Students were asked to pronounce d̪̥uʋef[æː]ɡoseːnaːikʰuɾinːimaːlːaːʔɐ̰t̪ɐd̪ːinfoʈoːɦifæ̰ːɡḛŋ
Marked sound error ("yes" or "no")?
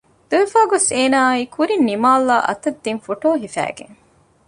yes